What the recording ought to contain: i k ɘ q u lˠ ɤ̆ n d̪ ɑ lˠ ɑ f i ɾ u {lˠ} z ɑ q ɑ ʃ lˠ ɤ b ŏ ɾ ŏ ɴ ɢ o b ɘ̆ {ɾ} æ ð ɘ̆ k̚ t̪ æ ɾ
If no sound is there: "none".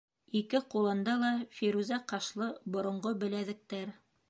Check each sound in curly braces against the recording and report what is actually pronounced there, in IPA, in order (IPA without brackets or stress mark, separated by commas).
none, l